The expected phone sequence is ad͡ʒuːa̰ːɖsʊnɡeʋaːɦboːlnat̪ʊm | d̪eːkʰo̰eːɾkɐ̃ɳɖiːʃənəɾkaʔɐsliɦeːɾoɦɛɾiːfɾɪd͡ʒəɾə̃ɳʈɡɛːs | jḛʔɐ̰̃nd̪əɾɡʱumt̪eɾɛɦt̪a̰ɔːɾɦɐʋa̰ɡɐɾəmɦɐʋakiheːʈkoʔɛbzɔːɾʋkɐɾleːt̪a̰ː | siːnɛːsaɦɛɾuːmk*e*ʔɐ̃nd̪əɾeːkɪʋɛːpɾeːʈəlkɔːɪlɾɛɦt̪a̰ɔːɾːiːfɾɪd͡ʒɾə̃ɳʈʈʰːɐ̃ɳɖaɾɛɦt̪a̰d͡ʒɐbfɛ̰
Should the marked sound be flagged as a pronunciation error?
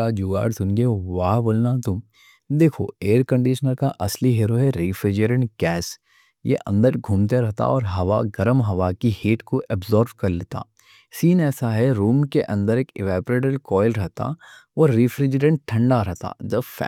no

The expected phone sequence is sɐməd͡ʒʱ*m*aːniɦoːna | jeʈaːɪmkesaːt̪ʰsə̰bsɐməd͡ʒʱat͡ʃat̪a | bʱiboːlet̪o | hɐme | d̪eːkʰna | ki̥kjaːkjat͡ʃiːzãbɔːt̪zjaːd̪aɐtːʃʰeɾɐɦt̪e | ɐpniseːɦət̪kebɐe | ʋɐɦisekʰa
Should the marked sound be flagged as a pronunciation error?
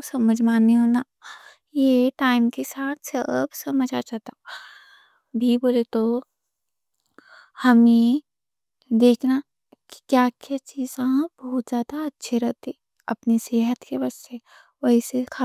no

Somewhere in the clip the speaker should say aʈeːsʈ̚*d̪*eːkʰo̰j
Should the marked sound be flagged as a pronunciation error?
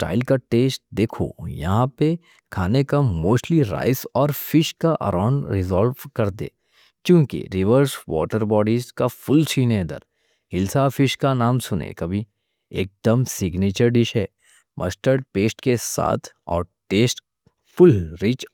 no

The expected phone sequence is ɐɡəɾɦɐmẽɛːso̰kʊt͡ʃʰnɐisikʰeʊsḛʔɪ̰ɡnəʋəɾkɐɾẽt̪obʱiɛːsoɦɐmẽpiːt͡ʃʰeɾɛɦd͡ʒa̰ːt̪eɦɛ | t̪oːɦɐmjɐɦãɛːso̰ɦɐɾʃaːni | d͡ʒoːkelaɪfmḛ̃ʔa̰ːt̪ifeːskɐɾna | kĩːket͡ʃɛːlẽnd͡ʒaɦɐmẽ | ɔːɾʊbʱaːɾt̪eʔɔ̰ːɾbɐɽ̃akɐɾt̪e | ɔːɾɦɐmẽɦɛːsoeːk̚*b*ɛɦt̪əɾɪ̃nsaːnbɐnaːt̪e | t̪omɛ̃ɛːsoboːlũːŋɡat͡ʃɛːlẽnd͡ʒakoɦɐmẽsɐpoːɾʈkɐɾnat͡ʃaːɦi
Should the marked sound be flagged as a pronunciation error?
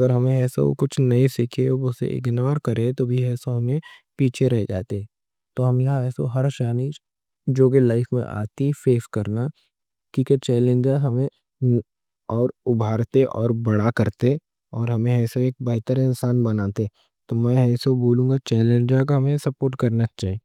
no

